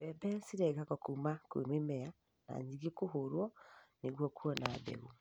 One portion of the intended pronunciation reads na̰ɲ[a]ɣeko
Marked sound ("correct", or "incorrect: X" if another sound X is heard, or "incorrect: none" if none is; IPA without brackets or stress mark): incorrect: i